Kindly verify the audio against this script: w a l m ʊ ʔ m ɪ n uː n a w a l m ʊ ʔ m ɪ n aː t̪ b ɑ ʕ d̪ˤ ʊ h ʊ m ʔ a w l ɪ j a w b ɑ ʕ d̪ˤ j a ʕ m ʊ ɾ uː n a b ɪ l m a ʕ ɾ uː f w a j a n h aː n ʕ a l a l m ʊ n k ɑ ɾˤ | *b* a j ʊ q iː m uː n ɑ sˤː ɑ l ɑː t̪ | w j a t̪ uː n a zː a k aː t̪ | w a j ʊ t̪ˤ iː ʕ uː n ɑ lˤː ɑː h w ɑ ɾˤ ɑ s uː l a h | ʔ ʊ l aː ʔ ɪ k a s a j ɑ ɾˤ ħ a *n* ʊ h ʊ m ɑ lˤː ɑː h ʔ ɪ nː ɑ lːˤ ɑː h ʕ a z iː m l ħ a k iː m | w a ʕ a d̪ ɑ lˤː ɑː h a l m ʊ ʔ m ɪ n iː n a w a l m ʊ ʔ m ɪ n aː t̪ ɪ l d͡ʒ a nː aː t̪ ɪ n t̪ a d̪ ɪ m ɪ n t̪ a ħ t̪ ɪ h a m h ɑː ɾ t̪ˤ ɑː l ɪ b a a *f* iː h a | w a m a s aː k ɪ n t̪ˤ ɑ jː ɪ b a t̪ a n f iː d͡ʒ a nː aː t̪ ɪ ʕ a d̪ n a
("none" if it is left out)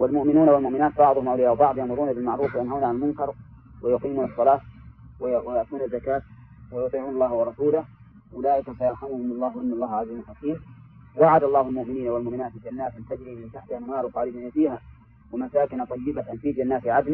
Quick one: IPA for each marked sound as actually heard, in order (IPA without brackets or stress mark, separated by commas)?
w, m, f